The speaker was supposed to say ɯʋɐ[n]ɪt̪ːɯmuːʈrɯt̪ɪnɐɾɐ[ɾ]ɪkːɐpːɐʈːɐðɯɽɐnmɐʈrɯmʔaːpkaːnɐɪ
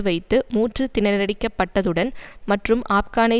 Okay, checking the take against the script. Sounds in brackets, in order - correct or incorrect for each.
incorrect, incorrect

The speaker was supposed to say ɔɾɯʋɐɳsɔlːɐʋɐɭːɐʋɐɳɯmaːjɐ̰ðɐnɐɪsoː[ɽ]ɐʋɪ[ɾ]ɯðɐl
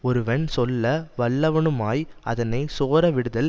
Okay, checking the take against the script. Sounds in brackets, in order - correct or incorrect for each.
incorrect, incorrect

